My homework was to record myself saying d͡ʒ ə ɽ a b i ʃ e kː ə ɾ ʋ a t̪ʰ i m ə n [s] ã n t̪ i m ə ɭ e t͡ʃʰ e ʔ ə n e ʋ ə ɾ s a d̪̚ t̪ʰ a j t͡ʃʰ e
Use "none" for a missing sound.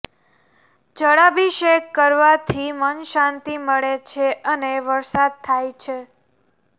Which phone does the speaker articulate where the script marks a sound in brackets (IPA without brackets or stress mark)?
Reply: ʃ